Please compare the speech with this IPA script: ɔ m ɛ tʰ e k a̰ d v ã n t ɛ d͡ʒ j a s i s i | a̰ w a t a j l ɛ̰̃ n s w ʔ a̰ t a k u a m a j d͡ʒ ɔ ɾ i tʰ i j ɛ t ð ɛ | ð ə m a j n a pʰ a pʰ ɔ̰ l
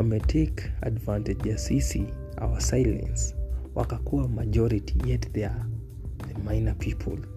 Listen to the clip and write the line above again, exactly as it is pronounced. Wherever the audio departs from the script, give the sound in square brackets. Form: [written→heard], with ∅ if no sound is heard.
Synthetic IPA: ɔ m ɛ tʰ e k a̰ d v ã n t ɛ d͡ʒ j a s i s i | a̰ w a [t→s] a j l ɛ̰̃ n s w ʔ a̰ [t→k] a k u a m a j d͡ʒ ɔ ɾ i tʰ i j ɛ t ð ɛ | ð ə m a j n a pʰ [a→i] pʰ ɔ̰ l